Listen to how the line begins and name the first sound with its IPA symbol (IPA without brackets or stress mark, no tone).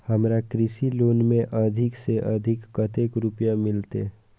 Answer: h